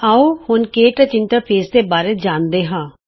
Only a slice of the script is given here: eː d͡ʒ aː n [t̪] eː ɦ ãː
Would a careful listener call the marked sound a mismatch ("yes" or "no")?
yes